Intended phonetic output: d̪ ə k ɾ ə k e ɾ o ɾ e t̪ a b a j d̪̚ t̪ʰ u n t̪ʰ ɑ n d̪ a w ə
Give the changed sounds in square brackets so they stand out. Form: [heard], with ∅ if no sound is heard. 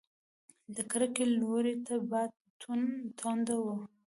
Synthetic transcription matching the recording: d̪ ə k ɾ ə k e [l] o ɾ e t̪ a b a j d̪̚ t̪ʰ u n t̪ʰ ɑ n d̪ a w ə